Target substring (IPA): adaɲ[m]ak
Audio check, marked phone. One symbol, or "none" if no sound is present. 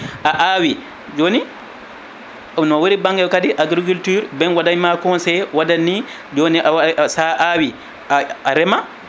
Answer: m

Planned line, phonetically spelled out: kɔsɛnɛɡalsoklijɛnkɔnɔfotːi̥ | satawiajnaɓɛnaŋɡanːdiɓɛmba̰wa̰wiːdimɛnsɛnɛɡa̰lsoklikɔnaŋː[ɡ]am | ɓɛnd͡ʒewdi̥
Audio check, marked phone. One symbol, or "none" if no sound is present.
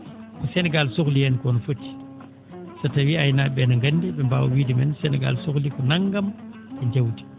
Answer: ɡ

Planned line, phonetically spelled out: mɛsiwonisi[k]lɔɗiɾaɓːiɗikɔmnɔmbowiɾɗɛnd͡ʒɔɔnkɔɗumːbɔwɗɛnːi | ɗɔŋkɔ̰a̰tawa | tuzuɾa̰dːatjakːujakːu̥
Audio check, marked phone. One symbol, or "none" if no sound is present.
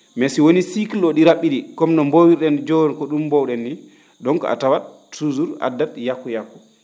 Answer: k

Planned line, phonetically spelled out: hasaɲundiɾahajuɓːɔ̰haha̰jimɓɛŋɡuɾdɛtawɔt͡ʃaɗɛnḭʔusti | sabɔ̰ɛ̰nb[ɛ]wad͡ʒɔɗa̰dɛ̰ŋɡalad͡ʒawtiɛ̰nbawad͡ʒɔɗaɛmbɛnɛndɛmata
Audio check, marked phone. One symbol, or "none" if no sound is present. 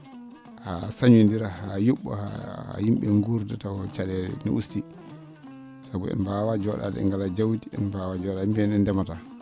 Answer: a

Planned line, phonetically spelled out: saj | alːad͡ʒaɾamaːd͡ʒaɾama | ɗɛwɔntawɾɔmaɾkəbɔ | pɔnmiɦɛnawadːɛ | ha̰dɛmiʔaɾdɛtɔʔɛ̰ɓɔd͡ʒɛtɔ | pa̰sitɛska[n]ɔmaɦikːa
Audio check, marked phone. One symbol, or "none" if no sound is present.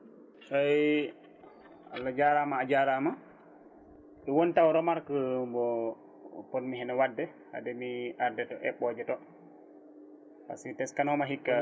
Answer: n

